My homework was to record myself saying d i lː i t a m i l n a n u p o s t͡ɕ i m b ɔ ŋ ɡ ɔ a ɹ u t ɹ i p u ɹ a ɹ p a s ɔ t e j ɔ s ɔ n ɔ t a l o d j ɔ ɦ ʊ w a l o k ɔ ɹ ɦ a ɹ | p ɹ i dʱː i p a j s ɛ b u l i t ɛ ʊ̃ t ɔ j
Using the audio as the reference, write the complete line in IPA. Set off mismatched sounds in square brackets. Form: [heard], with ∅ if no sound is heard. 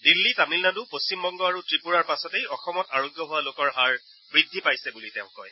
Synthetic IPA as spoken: d i lː i t a m i l n a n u p o s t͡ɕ i m b ɔ ŋ ɡ ɔ a ɹ u t ɹ i p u ɹ a ɹ p a s ɔ t e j ɔ [x] ɔ [m] ɔ t a [ɹ] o [ɡ] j ɔ ɦ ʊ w a l o k ɔ ɹ ɦ a ɹ | [b] ɹ i dʱː i p a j s ɛ b u l i t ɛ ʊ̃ [k] ɔ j